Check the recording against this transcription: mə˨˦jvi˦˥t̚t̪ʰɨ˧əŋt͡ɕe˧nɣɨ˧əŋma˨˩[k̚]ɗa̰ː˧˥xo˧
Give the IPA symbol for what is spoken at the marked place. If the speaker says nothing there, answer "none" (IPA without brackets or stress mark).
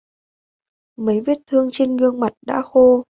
t̚